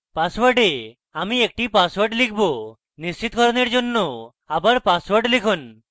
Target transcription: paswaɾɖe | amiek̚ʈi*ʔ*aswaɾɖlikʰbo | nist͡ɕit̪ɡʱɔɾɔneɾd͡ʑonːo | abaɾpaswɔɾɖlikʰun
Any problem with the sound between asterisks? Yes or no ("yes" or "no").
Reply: yes